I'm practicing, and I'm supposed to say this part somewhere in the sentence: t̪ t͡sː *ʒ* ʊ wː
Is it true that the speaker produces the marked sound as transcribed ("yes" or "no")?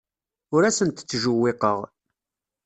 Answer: yes